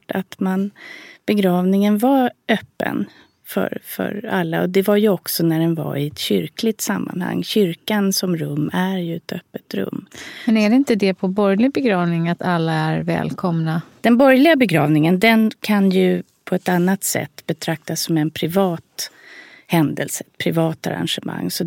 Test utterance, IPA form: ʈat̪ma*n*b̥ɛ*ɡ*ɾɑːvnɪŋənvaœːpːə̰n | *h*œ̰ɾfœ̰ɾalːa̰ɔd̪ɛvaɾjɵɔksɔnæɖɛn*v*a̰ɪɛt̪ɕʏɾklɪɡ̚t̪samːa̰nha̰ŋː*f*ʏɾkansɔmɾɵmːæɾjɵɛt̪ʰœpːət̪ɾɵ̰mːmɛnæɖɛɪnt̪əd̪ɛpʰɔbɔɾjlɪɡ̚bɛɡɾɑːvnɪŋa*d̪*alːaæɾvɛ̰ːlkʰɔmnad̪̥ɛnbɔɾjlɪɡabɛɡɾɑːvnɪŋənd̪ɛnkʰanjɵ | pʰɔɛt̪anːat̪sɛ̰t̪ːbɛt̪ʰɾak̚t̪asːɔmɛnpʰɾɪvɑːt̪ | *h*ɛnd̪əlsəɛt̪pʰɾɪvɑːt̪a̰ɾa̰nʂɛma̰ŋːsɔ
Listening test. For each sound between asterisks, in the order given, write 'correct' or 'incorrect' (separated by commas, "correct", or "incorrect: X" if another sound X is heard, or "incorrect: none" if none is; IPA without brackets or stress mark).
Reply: correct, correct, incorrect: f, correct, incorrect: ɕ, incorrect: t̪, correct